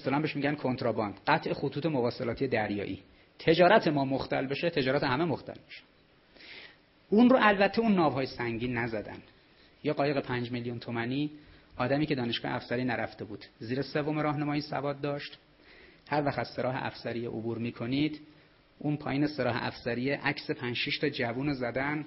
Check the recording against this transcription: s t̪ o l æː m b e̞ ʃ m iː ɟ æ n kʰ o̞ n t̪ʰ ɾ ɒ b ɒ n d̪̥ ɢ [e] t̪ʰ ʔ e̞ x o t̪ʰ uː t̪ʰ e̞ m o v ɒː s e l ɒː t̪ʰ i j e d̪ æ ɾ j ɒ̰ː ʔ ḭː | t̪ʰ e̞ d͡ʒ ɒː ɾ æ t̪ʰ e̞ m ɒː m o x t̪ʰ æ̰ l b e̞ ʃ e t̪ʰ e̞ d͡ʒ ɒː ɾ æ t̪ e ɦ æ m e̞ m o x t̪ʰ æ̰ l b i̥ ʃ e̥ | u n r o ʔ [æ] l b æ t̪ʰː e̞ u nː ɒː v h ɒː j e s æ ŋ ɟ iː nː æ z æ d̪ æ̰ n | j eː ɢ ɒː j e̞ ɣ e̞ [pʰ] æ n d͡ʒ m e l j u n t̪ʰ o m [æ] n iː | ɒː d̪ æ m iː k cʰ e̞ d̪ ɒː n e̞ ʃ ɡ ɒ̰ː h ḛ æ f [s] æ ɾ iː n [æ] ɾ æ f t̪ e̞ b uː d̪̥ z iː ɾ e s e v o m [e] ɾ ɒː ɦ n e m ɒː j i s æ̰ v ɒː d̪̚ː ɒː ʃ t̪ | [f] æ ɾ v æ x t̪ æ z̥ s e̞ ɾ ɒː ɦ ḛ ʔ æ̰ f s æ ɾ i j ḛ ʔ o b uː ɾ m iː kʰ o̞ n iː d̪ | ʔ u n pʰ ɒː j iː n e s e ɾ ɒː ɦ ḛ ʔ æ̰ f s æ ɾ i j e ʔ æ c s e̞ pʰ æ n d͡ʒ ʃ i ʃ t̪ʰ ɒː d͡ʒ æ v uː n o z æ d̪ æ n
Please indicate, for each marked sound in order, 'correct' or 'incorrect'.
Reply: incorrect: æ, correct, correct, correct, correct, correct, correct, incorrect: h

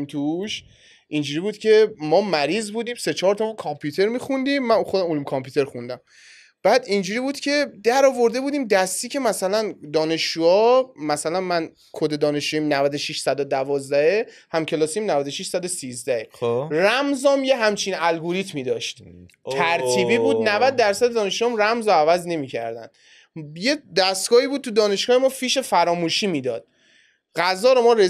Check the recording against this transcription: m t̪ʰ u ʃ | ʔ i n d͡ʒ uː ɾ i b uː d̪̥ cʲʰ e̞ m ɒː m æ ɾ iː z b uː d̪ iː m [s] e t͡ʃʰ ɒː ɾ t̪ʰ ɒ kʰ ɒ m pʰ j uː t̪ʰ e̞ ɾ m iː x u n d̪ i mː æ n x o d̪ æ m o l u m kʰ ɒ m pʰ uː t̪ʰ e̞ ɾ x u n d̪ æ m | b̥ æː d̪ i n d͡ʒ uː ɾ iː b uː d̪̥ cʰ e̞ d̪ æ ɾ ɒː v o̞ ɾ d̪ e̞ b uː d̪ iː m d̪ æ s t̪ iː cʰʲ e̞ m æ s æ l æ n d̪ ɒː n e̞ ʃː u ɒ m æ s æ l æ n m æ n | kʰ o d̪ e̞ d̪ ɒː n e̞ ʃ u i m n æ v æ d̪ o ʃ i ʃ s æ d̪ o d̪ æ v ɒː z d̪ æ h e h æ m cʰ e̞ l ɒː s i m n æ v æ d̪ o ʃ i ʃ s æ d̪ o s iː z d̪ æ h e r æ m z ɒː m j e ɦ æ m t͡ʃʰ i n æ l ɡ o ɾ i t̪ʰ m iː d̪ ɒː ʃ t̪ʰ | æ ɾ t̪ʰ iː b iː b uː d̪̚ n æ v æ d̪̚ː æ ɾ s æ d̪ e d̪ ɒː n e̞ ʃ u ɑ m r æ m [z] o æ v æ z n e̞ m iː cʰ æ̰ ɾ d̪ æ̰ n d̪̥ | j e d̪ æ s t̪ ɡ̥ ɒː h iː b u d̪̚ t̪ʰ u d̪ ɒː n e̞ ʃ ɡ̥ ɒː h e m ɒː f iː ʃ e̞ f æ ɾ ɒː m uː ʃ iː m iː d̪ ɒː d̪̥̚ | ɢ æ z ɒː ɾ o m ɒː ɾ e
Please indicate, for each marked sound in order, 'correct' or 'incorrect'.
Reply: correct, correct

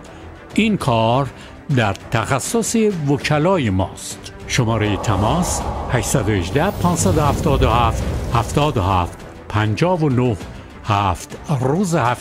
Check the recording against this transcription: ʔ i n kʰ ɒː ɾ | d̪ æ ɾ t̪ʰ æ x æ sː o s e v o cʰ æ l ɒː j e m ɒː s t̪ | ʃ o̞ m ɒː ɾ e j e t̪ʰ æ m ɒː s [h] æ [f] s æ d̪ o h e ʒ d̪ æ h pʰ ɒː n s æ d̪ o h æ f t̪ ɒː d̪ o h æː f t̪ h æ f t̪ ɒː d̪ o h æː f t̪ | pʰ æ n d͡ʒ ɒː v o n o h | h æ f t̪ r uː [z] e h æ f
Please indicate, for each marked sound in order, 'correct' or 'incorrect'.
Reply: correct, incorrect: ʃ, correct

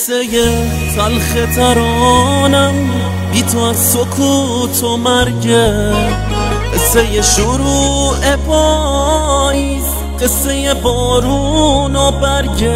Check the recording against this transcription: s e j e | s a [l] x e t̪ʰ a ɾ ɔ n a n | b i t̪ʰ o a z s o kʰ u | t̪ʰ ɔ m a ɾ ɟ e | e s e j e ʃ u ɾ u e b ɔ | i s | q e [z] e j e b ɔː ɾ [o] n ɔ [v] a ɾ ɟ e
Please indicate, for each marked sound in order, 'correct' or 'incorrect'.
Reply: correct, incorrect: s, incorrect: u, incorrect: b

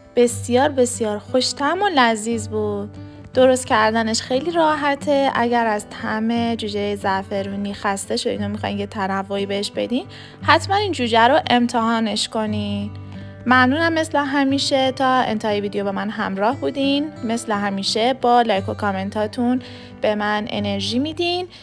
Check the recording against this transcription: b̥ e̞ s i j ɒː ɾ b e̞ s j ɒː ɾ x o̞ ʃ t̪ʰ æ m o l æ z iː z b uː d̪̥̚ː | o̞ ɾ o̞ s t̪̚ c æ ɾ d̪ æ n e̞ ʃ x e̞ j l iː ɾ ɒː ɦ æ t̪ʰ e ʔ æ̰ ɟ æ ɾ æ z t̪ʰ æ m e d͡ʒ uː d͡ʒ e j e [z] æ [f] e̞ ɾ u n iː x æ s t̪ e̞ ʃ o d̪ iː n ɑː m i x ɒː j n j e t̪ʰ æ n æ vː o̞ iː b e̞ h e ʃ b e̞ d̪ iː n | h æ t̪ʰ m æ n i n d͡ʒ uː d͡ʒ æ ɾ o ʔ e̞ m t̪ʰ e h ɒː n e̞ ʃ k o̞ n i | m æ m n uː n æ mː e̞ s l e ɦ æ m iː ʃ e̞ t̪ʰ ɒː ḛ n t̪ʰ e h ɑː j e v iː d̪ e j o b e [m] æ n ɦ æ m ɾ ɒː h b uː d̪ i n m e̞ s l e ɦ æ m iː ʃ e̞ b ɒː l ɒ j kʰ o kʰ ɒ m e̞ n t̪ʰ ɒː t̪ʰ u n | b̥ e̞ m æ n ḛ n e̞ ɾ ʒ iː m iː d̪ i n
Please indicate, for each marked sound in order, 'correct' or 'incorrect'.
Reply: correct, correct, correct

